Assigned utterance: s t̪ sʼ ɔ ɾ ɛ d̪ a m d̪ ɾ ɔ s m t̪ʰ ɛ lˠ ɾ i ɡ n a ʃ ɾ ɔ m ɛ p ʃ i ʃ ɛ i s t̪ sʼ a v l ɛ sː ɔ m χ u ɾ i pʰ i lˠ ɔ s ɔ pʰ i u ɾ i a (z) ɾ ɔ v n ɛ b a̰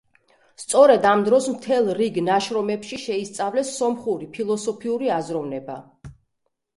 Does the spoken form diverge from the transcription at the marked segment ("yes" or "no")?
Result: no